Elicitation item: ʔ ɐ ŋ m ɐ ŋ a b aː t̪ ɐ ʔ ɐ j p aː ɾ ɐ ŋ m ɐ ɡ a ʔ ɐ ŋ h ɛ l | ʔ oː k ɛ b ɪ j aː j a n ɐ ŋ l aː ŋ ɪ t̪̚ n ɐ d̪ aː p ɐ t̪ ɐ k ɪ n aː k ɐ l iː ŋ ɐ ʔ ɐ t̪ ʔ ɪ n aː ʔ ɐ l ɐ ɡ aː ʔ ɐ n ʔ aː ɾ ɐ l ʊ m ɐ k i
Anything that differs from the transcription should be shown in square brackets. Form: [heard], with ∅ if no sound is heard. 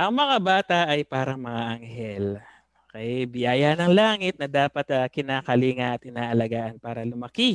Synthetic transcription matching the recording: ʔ ɐ ŋ m ɐ ŋ a b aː t̪ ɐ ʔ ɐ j p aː ɾ ɐ ŋ m ɐ [ŋ] a ʔ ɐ ŋ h ɛ l | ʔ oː k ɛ b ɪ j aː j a n ɐ ŋ l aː ŋ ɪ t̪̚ n ɐ d̪ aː p ɐ t̪ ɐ k ɪ n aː k ɐ l iː ŋ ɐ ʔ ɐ t̪ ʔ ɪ n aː ʔ ɐ l ɐ ɡ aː ʔ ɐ n [p] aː ɾ ɐ l ʊ m ɐ k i